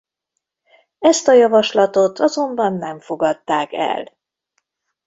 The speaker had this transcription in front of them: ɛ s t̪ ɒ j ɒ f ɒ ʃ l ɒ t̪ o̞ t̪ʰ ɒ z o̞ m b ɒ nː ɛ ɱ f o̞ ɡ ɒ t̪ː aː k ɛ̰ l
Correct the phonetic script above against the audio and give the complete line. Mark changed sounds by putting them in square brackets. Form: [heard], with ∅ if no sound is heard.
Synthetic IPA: ɛ s t̪ ɒ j ɒ [v] ɒ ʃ l ɒ t̪ o̞ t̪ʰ ɒ z o̞ m b ɒ nː ɛ ɱ f o̞ ɡ ɒ t̪ː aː k ɛ̰ l